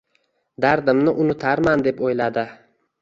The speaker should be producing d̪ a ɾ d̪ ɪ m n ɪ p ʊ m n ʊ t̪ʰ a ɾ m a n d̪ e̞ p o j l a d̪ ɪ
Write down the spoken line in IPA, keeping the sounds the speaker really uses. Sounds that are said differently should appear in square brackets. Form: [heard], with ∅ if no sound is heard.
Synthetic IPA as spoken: d̪ a ɾ d̪ ɪ m n ɪ [ʔ] ʊ [∅] n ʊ t̪ʰ a ɾ m a n d̪ e̞ p o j l a d̪ ɪ